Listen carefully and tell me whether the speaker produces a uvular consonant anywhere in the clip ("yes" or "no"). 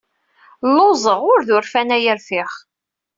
yes